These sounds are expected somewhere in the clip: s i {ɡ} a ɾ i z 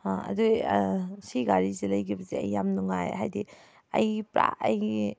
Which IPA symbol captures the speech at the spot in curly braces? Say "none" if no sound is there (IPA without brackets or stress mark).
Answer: ɡ